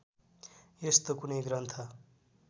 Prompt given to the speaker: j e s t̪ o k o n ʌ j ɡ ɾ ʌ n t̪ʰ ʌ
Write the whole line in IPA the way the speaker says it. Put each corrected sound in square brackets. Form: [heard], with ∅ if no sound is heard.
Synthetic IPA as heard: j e s t̪ o k [u] n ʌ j ɡ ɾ ʌ n t̪ʰ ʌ